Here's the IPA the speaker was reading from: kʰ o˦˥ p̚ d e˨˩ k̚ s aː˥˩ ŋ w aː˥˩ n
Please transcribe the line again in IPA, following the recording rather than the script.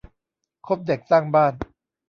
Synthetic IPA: kʰ o˦˥ p̚ d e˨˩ k̚ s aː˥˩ ŋ b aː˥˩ n